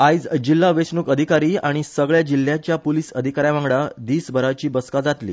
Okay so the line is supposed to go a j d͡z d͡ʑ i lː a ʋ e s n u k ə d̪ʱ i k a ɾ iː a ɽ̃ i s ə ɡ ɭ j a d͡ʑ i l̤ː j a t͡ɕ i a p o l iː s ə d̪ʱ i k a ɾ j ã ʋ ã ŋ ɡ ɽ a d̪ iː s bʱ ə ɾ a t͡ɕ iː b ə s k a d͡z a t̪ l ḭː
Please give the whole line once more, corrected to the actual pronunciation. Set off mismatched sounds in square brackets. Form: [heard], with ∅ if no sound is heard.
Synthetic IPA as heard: a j d͡z d͡ʑ i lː a ʋ e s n u k ə d̪ʱ i k a ɾ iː a ɽ̃ i s ə ɡ ɭ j a d͡ʑ i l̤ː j a t͡ɕ [j] a p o l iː s ə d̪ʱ i k a ɾ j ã ʋ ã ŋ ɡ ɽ a d̪ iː s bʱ ə ɾ a t͡ɕ iː b ə s k a d͡z a t̪ l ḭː